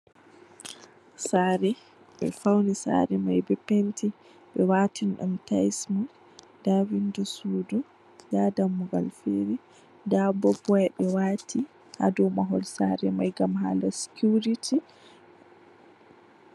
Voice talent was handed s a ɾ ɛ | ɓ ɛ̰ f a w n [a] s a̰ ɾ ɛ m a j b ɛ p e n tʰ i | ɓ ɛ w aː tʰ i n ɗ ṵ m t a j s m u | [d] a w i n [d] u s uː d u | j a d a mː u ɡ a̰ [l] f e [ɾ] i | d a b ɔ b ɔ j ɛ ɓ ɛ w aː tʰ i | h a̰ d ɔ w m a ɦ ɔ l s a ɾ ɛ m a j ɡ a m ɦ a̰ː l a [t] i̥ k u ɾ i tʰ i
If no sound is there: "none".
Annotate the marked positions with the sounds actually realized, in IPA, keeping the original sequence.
i, d, d, l, ɾ, s

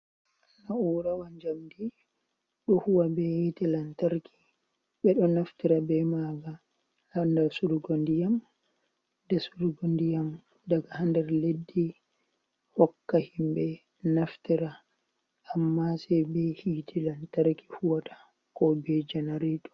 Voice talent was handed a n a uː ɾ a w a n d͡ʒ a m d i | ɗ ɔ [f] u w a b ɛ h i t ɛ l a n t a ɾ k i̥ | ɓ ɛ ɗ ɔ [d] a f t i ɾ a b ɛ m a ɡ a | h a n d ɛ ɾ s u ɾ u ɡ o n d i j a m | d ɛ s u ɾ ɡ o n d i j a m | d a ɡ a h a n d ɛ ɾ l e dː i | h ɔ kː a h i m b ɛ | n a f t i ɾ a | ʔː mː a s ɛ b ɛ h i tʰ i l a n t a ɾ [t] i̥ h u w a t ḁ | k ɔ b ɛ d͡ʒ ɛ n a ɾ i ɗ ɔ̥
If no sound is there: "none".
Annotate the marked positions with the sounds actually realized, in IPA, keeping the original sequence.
h, n, k

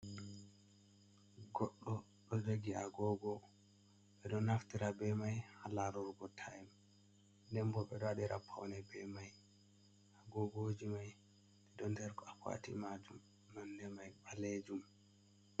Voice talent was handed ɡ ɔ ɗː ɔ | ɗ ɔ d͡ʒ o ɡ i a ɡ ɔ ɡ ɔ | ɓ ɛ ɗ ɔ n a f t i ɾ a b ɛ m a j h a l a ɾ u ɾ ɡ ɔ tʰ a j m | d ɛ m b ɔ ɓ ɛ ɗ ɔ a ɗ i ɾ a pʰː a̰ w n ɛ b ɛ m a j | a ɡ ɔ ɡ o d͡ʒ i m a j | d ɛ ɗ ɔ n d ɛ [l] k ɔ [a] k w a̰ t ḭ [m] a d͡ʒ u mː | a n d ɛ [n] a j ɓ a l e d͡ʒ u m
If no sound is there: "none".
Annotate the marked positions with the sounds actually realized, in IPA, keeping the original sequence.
ɾ, a, m, m

